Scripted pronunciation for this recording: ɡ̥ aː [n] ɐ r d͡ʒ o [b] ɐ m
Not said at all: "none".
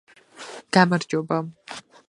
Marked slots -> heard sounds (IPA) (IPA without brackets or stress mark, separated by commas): m, b